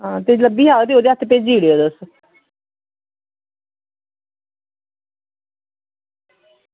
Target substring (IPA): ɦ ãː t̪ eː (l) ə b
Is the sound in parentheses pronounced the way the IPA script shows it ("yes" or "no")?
yes